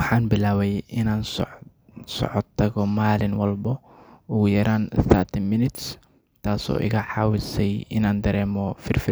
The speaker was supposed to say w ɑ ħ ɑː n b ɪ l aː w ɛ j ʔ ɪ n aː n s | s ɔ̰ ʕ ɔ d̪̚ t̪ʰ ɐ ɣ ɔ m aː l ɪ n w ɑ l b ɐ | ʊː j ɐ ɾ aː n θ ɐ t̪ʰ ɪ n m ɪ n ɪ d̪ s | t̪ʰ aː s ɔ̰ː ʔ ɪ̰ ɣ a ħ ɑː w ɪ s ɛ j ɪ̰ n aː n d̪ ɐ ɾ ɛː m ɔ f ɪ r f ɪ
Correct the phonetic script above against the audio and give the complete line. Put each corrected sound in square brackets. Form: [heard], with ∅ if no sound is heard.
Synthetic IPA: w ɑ ħ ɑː n b ɪ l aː w ɛ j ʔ ɪ n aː n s | s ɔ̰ ʕ ɔ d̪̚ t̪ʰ ɐ ɣ ɔ m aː l ɪ n w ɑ l b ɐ | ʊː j ɐ ɾ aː n θ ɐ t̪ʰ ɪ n m ɪ n ɪ [t̪] s | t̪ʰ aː s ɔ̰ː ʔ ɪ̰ ɣ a ħ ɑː w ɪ s ɛ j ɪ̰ n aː n d̪ ɐ ɾ ɛː m ɔ f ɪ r f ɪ